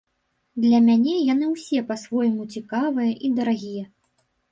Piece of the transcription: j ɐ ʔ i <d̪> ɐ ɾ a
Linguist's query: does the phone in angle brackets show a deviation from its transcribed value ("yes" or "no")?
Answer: no